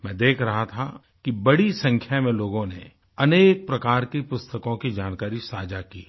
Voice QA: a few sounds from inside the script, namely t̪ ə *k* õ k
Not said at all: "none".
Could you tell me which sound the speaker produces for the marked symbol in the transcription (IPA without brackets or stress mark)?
k